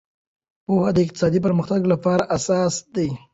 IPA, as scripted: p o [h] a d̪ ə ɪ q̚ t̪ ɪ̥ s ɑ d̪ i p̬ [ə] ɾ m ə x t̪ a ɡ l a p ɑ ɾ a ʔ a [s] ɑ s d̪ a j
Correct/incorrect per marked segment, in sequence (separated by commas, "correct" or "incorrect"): correct, correct, correct